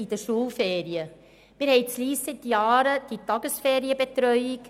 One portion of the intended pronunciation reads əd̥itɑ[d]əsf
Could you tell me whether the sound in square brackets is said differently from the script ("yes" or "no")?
yes